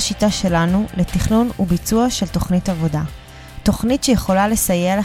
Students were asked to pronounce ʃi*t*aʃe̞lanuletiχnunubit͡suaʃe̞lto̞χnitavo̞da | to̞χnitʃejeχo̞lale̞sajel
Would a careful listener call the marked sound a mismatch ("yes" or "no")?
no